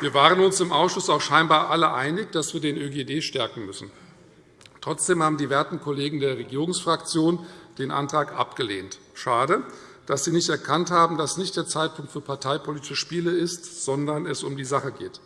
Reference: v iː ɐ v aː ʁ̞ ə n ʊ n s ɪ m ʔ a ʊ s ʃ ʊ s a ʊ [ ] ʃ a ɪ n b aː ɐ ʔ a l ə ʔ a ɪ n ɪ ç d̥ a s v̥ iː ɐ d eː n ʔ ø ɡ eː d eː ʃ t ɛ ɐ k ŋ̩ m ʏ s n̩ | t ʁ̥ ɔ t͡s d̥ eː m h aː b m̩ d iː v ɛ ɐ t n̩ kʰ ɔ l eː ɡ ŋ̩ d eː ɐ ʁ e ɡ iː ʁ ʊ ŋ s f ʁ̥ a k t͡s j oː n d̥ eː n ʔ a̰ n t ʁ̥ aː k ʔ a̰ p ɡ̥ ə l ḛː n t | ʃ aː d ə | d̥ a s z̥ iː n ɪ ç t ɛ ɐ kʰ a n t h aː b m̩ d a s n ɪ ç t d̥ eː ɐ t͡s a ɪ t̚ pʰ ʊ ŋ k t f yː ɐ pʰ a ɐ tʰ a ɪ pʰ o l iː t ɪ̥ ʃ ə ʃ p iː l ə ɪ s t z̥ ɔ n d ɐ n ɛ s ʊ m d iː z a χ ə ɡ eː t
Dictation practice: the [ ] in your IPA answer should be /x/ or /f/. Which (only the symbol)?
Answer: x